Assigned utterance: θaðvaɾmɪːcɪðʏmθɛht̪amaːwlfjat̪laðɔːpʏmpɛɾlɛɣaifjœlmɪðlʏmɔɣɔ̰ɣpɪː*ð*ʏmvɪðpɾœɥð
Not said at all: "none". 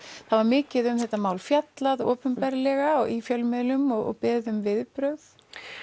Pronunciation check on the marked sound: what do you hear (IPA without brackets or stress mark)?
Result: ð